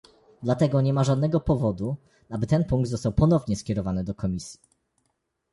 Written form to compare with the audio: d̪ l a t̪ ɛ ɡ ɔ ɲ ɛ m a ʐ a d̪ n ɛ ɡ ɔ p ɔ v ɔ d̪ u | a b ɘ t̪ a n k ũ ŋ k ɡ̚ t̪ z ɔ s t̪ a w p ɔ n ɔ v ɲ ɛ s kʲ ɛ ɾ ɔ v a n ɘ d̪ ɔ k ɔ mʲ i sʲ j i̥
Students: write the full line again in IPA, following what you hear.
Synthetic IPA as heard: d̪ l a t̪ ɛ ɡ ɔ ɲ ɛ m a ʐ a d̪ n ɛ ɡ ɔ p ɔ v ɔ d̪ u | a b ɘ t̪ ɛ n p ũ ŋ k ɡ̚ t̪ z ɔ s t̪ a w p ɔ n ɔ v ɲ ɛ s kʲ ɛ ɾ ɔ v a n ɘ d̪ ɔ k ɔ mʲ i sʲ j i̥